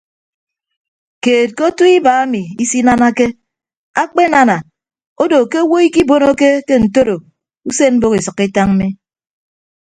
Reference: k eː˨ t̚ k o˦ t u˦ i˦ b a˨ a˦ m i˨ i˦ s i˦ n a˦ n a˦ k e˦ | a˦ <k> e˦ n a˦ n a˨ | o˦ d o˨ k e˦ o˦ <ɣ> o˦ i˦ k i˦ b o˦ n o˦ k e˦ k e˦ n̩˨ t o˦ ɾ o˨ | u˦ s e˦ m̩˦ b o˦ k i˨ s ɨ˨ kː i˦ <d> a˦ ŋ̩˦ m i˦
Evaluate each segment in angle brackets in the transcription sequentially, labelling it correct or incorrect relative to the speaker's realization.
incorrect, incorrect, incorrect

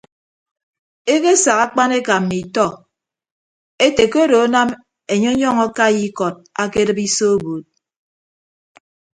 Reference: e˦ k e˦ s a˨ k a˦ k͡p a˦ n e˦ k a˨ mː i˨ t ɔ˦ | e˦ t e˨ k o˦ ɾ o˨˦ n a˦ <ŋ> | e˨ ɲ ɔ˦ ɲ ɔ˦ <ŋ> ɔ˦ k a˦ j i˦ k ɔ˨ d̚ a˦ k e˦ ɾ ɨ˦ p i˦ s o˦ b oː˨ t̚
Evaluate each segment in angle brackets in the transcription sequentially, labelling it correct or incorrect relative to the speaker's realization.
incorrect, correct

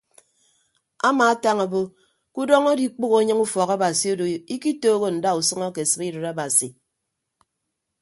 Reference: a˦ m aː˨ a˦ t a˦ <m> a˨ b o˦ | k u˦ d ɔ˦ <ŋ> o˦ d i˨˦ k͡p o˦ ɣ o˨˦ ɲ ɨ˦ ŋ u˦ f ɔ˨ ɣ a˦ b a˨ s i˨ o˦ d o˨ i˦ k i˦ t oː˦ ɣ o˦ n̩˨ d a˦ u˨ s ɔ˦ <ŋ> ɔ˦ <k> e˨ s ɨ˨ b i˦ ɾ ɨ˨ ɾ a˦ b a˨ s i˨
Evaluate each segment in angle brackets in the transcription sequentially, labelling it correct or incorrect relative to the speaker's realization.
incorrect, correct, correct, correct

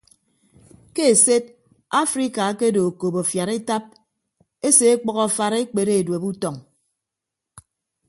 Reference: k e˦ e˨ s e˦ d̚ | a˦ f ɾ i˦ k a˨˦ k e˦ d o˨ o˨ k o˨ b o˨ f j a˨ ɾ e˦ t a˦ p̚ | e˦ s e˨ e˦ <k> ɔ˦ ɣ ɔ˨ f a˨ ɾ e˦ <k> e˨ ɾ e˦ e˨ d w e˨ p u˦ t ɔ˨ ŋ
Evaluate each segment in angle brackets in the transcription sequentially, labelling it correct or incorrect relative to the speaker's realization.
incorrect, incorrect

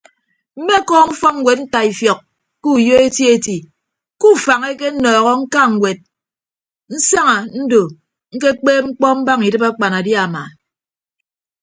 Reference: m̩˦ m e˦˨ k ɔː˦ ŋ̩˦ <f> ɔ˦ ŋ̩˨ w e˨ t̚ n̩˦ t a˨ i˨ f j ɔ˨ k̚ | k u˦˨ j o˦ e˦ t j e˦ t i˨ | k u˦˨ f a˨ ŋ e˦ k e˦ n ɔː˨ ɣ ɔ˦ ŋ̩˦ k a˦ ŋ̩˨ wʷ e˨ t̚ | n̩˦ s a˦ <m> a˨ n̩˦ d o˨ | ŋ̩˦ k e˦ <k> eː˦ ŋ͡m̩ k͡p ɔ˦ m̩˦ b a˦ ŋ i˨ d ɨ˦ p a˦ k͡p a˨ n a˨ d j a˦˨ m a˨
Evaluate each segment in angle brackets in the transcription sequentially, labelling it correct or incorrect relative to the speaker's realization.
correct, incorrect, incorrect

